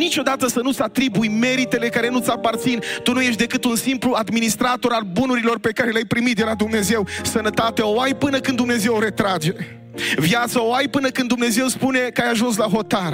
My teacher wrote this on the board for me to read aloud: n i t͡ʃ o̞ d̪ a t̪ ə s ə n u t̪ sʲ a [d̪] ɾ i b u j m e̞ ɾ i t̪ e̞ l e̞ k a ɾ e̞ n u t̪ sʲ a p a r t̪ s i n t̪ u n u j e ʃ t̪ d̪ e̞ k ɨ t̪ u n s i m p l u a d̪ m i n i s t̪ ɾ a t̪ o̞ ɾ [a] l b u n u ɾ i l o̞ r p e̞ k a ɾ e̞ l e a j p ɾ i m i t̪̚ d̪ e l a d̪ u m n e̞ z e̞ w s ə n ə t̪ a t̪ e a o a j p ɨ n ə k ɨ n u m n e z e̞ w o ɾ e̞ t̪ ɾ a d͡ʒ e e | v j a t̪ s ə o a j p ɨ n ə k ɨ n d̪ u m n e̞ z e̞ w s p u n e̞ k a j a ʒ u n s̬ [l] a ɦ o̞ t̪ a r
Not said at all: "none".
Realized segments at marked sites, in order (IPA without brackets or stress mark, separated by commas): t̪, a, l